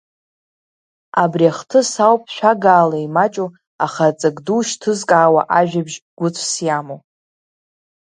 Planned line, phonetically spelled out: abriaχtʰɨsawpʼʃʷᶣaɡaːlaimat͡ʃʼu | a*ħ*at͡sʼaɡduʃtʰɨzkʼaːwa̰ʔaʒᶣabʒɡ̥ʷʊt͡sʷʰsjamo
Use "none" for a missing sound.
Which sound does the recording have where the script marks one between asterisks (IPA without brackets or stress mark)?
χ